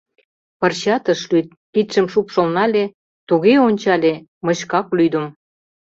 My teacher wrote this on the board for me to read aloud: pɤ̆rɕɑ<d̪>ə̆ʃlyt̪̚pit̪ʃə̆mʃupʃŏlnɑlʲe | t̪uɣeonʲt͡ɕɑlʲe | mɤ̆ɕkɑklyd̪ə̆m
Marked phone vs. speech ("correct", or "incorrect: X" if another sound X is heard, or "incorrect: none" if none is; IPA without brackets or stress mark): incorrect: t̪